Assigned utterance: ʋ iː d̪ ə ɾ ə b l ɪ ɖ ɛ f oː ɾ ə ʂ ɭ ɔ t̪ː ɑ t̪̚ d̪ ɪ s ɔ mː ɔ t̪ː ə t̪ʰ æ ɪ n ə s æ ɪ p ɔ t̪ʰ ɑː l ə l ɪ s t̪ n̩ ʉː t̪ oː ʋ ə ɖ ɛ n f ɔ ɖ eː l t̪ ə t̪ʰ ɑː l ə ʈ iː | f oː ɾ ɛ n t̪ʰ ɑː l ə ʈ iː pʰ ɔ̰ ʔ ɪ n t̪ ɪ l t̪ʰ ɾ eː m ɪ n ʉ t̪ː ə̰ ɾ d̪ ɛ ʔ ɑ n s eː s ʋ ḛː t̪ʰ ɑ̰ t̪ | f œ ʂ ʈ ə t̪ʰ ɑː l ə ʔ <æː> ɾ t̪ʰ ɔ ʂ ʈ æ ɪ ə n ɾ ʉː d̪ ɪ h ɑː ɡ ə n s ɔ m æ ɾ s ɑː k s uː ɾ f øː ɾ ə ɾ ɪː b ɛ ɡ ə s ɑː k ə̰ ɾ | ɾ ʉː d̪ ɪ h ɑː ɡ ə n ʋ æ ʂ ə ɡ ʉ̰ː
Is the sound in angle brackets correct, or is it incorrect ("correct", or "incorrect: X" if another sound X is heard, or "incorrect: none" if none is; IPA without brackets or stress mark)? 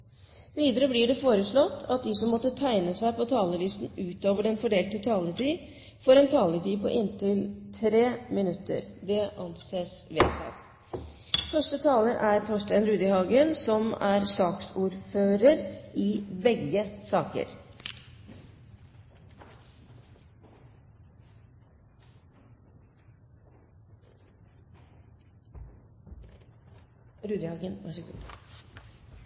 incorrect: æ